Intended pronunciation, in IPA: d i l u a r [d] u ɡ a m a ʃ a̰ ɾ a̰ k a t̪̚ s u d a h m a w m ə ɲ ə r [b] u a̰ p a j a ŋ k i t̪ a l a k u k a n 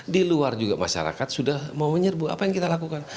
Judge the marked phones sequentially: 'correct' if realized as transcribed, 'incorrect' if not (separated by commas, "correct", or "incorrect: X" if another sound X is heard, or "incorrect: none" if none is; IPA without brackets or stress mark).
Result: incorrect: d͡ʒ, correct